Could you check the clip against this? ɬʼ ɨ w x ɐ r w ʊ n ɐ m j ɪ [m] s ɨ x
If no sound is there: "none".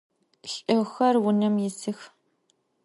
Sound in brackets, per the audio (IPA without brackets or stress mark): none